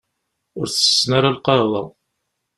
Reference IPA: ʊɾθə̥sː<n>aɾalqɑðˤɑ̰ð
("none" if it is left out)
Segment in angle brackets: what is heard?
n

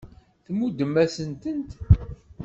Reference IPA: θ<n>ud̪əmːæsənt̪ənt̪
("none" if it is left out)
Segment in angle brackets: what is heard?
m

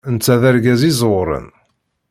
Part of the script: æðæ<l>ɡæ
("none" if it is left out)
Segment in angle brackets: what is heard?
ɾ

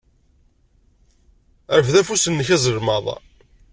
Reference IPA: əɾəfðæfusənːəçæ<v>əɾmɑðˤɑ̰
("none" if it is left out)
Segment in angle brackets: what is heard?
z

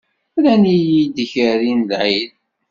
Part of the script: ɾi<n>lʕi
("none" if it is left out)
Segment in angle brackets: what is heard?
n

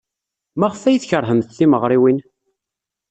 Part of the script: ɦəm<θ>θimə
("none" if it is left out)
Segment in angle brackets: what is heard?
θ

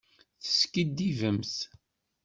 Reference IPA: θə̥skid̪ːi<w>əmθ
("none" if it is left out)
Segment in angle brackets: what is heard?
v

